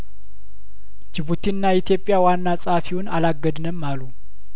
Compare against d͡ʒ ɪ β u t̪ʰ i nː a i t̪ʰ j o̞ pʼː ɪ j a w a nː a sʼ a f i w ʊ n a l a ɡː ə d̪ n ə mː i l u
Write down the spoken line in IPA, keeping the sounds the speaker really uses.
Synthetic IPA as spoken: d͡ʒ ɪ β u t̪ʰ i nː a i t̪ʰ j o̞ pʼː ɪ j a w a nː a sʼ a f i w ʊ n a l a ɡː ə d̪ n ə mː a l u